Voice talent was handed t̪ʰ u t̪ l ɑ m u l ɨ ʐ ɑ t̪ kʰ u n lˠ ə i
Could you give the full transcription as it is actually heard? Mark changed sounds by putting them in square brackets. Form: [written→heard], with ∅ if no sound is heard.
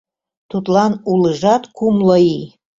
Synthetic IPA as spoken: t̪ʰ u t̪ l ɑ [m→n] u l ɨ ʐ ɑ t̪ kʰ u [n→m] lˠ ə i